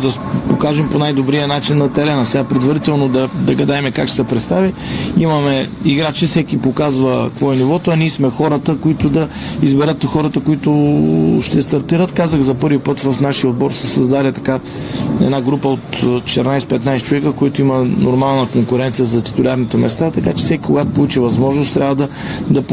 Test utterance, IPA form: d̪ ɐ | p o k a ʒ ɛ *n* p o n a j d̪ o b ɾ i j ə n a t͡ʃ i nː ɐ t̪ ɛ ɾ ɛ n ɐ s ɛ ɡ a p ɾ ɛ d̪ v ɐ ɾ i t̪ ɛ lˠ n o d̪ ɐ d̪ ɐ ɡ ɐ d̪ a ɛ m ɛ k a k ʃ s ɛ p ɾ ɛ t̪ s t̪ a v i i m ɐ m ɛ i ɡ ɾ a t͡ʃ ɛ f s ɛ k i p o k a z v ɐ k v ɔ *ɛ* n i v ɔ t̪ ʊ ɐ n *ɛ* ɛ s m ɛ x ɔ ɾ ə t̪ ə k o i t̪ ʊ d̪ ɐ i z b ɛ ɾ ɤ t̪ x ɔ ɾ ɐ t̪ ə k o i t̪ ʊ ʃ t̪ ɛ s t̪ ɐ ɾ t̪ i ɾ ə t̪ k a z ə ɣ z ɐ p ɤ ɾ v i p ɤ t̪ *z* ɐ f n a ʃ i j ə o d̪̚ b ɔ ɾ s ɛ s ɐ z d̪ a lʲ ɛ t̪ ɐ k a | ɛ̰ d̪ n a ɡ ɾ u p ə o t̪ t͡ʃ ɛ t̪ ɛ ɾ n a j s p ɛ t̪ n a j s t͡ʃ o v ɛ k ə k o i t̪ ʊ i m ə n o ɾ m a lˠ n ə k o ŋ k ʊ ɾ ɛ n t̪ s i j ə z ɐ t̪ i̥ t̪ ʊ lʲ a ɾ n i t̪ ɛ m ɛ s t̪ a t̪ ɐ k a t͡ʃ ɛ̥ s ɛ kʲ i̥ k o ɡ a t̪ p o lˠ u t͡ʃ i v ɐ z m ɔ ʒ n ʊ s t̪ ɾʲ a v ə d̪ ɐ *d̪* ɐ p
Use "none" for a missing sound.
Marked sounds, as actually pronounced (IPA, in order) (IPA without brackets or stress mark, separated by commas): m, ɛ, i, v, d̪